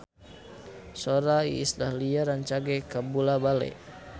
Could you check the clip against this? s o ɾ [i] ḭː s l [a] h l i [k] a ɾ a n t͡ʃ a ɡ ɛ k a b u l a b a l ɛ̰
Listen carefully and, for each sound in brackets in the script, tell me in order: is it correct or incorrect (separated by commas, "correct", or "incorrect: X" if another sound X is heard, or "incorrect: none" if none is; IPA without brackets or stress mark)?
incorrect: a, correct, incorrect: none